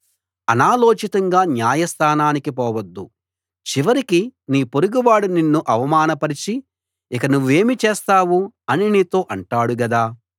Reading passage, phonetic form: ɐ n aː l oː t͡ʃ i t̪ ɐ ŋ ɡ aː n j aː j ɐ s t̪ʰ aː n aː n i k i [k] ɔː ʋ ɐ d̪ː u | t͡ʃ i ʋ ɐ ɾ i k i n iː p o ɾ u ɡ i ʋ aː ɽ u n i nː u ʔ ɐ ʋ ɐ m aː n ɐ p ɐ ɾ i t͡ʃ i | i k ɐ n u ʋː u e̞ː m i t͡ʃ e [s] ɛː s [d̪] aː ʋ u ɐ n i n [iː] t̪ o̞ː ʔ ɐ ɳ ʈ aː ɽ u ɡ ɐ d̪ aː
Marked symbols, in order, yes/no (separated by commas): no, no, no, yes